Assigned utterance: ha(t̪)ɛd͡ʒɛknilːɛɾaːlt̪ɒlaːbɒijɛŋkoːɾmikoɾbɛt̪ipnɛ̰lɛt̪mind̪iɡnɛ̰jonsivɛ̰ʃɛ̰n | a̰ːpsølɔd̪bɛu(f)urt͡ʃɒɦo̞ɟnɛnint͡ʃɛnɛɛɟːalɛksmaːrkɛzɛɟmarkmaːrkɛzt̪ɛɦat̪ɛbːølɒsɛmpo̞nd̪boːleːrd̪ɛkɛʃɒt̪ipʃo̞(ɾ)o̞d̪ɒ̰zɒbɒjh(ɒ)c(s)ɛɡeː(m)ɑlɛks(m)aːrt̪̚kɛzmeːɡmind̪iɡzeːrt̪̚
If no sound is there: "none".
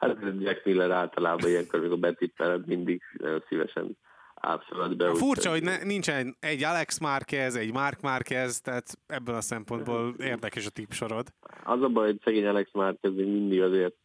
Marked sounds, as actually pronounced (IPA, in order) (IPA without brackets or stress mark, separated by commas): t̪, f, ɾ, o, s, ɲ, m